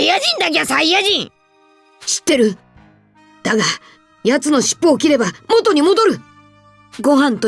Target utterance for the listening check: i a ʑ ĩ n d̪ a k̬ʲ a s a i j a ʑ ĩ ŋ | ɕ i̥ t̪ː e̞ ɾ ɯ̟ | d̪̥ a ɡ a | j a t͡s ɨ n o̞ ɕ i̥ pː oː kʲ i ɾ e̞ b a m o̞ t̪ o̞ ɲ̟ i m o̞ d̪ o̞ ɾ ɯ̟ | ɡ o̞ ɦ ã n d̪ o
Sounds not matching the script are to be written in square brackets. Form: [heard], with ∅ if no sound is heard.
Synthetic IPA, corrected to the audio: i a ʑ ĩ n d̪ a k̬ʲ a s a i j a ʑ ĩ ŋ | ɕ i̥ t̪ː e̞ ɾ ɯ̟ | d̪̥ a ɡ a | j a t͡s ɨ n o̞ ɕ i̥ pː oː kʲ i ɾ e̞ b a m o̞ t̪ o̞ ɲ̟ i m o̞ d̪ o̞ ɾ ɯ̟ | ɡ o̞ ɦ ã n [t̪] o